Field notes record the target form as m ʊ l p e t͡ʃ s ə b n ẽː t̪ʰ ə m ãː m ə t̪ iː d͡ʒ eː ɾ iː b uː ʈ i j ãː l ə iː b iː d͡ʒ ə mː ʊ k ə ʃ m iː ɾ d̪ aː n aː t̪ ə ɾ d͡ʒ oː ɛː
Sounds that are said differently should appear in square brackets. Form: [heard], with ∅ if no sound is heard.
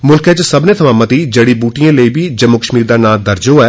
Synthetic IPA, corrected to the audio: m ʊ l [k] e t͡ʃ s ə b n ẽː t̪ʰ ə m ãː m ə t̪ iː d͡ʒ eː [ɽ] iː b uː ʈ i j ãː l ə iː b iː d͡ʒ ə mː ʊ k ə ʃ m iː ɾ d̪ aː n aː [d̪] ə ɾ d͡ʒ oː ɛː